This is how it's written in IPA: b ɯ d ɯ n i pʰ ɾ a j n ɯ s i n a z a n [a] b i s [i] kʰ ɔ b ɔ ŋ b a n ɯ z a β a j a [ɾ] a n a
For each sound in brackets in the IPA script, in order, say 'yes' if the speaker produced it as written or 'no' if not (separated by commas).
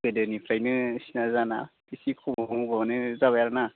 yes, yes, yes